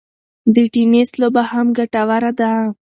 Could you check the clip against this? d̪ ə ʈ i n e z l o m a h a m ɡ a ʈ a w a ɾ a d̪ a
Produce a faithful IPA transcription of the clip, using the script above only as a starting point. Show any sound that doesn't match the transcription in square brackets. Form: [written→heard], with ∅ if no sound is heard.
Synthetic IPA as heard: d̪ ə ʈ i n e [z→s] l o [m→b] a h a m ɡ a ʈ a w a ɾ a d̪ a

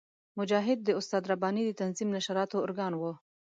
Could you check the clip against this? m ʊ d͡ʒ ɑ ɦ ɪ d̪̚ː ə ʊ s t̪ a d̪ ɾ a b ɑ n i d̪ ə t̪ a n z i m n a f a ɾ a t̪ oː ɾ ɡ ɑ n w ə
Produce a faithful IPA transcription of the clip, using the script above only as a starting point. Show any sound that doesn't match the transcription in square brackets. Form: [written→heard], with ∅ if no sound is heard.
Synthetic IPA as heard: m ʊ d͡ʒ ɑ ɦ ɪ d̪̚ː ə ʊ s t̪ [a→ɑ] d̪ ɾ a b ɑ n i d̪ ə t̪ a n z i m n a [f→ʃ] a ɾ [a→ɑ] t̪ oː ɾ ɡ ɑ n w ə

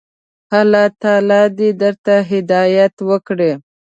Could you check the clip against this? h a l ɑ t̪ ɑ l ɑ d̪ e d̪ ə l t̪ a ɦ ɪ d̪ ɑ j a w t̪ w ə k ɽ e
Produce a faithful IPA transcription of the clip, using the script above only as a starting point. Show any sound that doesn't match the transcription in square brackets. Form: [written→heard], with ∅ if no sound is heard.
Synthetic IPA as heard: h a l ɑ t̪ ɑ l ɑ d̪ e d̪ ə [l→ɾ] t̪ a ɦ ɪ d̪ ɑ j a [w→∅] t̪ w ə k ɽ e

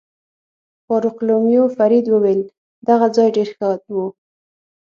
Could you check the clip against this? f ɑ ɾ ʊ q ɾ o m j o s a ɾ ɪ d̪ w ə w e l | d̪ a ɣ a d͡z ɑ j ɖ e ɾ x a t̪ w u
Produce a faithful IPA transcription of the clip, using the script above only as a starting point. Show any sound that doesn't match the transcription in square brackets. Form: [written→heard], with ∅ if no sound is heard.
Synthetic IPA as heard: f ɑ ɾ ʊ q [ɾ→l] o m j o [s→f] a ɾ [ɪ→i] d̪ w ə w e l | d̪ a ɣ a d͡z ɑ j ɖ e ɾ x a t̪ w u

